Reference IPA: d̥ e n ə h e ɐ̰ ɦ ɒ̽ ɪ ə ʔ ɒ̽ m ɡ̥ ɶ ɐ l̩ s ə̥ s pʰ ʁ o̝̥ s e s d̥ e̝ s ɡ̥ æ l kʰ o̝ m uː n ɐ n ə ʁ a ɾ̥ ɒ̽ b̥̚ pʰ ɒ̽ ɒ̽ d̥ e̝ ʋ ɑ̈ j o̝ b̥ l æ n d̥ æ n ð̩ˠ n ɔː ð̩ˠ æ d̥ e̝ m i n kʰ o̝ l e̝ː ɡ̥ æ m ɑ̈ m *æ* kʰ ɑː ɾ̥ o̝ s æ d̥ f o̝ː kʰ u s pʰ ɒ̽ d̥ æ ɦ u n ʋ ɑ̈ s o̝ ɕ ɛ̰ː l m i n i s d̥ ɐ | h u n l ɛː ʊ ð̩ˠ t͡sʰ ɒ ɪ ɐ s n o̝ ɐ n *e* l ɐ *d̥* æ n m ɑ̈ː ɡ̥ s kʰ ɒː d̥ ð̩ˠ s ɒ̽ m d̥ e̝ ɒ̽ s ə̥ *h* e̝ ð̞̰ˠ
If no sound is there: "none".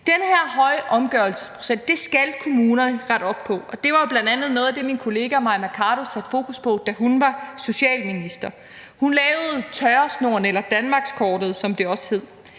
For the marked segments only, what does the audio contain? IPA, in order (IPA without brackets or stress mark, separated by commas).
æ, e, d̥, h